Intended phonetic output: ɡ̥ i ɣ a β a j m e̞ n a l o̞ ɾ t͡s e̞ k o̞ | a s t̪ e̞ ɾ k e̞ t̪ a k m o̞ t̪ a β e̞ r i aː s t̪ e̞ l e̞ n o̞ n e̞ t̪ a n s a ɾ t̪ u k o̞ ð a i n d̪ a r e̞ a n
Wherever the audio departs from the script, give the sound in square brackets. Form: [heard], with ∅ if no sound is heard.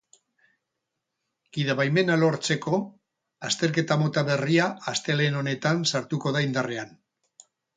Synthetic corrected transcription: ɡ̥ i [ð] a β a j m e̞ n a l o̞ ɾ t͡s e̞ k o̞ | a s t̪ e̞ ɾ k e̞ t̪ a [∅] m o̞ t̪ a β e̞ r i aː s t̪ e̞ l e̞ n o̞ n e̞ t̪ a n s a ɾ t̪ u k o̞ ð a i n d̪ a r e̞ a n